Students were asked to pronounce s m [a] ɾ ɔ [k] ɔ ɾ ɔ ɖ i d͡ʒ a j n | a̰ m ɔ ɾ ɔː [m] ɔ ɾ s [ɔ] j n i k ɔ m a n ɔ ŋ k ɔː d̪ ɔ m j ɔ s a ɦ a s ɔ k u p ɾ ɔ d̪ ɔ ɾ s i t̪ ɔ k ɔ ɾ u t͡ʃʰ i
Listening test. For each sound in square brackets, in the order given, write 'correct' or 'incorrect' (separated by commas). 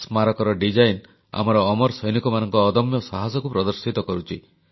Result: correct, correct, correct, correct